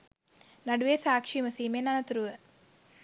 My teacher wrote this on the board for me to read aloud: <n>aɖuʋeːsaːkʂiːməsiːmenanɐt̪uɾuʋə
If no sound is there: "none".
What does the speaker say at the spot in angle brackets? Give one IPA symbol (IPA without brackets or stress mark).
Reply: n